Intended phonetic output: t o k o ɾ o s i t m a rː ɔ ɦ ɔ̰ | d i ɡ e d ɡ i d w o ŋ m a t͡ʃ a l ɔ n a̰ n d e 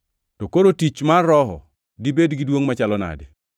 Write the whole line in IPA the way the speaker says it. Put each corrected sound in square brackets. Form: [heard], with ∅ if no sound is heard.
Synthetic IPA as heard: t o k o ɾ o [t] i [t͡ʃ] m a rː ɔ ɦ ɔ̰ | d i [b] e d ɡ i d w o ŋ m a t͡ʃ a l ɔ n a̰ [∅] d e